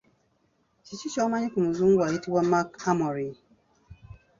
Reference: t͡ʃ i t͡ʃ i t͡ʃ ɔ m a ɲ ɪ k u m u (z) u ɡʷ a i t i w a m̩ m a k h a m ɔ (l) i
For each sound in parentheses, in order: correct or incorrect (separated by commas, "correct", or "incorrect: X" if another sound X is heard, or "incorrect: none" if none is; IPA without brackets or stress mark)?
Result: correct, incorrect: ɾ